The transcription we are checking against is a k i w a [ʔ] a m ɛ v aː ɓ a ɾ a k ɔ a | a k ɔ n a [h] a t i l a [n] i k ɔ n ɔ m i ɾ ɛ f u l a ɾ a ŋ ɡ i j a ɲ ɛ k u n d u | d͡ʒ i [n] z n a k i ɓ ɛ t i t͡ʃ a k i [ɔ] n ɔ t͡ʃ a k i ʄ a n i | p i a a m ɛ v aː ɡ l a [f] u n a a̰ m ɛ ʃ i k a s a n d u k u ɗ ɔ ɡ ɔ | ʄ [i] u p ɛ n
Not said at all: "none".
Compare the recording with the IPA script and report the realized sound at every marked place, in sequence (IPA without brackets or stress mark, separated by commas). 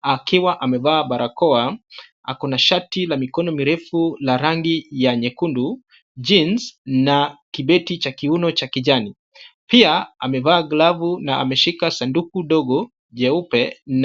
ʔ, ʃ, m, n, u, v, ɛ